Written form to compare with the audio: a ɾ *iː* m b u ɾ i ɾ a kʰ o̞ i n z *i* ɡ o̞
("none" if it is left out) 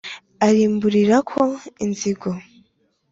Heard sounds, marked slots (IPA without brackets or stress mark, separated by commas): iː, i